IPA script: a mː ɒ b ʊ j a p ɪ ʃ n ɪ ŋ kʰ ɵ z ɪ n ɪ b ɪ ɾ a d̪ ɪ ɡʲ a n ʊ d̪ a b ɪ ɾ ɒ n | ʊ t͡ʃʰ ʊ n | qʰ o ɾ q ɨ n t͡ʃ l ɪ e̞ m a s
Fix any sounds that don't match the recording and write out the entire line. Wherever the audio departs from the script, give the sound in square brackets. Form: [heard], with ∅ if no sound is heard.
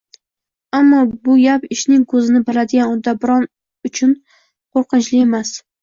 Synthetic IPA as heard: a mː ɒ b ʊ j a p ɪ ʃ n ɪ ŋ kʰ ɵ z ɪ n ɪ b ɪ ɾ a d̪ ɪ ɡʲ a n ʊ d̪ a b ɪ ɾ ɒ n | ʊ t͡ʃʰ ʊ n | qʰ o ɾ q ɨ n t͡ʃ l ɪ e̞ m a s